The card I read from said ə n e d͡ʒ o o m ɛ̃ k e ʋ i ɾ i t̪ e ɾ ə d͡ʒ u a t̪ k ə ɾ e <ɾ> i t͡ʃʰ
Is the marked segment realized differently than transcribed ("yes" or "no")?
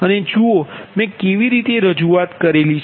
yes